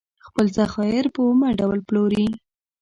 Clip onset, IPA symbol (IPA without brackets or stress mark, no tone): x